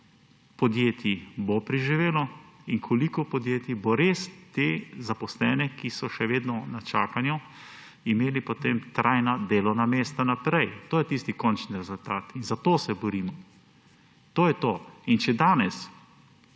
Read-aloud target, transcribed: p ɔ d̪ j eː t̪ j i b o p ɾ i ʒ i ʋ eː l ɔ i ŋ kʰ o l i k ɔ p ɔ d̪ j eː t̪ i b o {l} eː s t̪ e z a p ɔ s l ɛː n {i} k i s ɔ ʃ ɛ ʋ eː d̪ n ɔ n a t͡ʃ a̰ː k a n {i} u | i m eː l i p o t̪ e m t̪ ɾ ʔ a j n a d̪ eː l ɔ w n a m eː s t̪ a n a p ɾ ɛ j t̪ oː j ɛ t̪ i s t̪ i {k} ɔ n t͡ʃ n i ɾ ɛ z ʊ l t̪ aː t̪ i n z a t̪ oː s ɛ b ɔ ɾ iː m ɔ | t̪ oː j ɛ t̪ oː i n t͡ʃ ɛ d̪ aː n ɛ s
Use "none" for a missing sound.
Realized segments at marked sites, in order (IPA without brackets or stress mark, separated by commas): ɾ, ɛ, j, k